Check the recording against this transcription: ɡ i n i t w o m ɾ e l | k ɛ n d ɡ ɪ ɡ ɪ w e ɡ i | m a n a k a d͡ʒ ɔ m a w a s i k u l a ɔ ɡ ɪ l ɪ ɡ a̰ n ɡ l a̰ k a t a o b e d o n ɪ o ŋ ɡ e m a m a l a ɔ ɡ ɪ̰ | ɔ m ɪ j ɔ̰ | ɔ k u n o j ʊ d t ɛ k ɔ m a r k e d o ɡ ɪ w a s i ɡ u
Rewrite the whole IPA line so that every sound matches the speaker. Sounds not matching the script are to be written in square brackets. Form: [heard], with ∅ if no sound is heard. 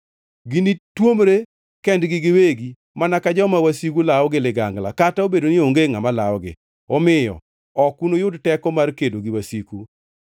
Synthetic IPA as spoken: ɡ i n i t w o m ɾ e [∅] | k ɛ n d ɡ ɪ ɡ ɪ w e ɡ i | m a n a k a d͡ʒ ɔ m a w a s i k u l a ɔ ɡ ɪ l ɪ ɡ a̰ [ŋ] ɡ l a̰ k a t a o b e d o n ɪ o ŋ ɡ e [ŋ] a m a l a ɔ ɡ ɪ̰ | ɔ m ɪ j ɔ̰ | ɔ k u n o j ʊ d t ɛ k ɔ m a r k e d o ɡ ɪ w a s i [k] u